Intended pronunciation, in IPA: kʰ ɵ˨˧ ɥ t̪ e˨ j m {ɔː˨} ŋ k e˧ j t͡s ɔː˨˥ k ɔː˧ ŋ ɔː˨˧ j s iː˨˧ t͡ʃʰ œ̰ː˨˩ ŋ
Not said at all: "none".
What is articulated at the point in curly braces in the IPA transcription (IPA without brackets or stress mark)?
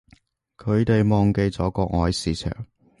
ɔː˨